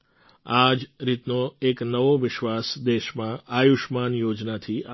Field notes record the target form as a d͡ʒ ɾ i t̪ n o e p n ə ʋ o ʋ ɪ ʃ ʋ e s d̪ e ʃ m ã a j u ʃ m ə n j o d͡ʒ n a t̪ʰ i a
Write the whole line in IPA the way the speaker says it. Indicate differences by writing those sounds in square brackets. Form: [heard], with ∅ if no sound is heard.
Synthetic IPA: a d͡ʒ ɾ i t̪ n o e [k] n ə ʋ o ʋ ɪ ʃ ʋ [a] s d̪ e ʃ m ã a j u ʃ m [a] n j o d͡ʒ n a t̪ʰ i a

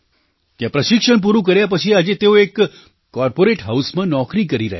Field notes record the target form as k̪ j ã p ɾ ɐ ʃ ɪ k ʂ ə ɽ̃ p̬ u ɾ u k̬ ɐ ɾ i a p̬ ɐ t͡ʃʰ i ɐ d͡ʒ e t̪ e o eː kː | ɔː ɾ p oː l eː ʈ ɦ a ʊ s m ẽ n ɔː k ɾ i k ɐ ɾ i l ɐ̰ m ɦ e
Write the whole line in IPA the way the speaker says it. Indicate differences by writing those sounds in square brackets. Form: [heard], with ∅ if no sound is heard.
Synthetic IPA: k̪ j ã p ɾ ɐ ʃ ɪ k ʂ ə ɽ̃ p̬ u ɾ u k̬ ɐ ɾ [j] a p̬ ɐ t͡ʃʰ i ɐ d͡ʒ e t̪ e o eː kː | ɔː ɾ p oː [ɾ] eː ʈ ɦ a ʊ s m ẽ n ɔː k ɾ i k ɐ ɾ i [ɾ] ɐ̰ [∅] ɦ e

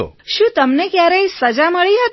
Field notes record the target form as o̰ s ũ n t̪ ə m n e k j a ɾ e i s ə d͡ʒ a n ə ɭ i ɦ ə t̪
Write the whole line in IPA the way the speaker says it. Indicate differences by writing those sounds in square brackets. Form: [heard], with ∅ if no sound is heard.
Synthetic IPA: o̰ [ʃ] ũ [∅] t̪ ə m n e k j a ɾ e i s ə d͡ʒ a [m] ə ɭ i ɦ ə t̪

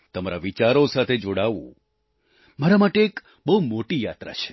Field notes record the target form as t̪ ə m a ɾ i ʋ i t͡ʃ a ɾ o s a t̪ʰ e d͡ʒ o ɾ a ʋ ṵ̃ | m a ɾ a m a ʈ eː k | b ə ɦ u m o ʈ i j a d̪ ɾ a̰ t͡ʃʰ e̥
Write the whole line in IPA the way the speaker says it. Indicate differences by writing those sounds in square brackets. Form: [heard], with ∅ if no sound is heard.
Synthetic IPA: t̪ ə m a ɾ [a] ʋ i t͡ʃ a ɾ o s a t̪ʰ e d͡ʒ o [ɽ] a ʋ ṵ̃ | m a ɾ a m a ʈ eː k | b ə ɦ u m o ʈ i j a [t̪] ɾ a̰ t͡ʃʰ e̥

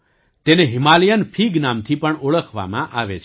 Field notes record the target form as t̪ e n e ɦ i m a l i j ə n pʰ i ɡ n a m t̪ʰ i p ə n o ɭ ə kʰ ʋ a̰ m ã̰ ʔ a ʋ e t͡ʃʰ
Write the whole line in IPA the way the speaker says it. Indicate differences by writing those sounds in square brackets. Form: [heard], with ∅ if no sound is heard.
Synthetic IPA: t̪ e n e ɦ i m a l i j ə n pʰ i ɡ n a m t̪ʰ i p ə [ɳ] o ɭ ə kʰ ʋ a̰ m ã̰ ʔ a ʋ e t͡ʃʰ

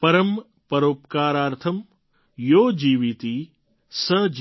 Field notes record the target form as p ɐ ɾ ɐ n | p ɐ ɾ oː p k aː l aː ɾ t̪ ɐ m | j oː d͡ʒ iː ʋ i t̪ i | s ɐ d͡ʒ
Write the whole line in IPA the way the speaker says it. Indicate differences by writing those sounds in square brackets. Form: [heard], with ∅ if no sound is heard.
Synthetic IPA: p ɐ ɾ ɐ [m] | p ɐ ɾ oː p k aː [ɾ] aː ɾ [t̪ʰ] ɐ m | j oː d͡ʒ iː ʋ i t̪ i | s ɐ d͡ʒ

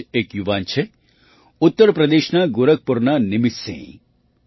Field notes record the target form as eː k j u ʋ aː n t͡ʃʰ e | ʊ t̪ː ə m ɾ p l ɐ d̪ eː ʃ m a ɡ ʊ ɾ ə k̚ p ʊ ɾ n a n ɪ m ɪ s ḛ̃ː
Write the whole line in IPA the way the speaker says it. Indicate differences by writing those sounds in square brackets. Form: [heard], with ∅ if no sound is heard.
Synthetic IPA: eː k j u ʋ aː n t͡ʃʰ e | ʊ t̪ː ə [∅] ɾ p [ɾ] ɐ d̪ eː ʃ [n] a ɡ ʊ ɾ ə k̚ p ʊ ɾ n a n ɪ m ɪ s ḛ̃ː

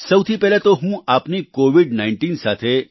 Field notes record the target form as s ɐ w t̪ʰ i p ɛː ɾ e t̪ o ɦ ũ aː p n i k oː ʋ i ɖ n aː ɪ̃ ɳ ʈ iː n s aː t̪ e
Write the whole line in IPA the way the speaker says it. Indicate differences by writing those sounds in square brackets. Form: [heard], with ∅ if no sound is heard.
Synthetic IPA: s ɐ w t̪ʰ i p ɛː [l] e t̪ o ɦ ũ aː p n i k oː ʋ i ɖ n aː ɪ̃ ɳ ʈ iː n s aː [t̪ʰ] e

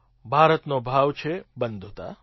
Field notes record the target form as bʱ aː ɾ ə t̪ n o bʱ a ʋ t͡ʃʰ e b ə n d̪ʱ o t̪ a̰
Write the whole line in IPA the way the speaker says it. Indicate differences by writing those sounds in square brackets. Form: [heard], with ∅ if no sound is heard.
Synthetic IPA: bʱ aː ɾ ə t̪ n o bʱ a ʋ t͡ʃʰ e b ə n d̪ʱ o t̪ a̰

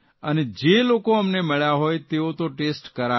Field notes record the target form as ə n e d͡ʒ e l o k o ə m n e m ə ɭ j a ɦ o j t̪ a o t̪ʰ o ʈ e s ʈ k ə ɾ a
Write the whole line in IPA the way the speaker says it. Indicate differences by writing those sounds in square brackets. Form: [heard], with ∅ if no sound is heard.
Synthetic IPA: ə n e d͡ʒ e l o k o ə m n e m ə ɭ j a ɦ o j t̪ [e] o [t̪] o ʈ e s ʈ k ə ɾ a

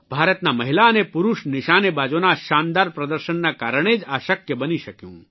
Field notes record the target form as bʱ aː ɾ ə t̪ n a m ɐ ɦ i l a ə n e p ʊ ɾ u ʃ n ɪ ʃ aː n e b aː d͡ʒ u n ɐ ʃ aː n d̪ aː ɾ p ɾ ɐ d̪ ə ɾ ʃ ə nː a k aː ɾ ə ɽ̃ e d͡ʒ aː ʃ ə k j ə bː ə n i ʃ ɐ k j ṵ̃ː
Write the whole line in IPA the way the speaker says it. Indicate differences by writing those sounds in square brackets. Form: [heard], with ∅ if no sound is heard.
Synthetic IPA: bʱ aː ɾ ə t̪ n a m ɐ ɦ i l a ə n e p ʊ ɾ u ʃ n ɪ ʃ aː n e b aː d͡ʒ [o] n [a] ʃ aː n d̪ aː ɾ p ɾ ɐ d̪ ə ɾ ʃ ə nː a k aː ɾ ə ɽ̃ e d͡ʒ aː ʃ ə k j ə [b] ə n i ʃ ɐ k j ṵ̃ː

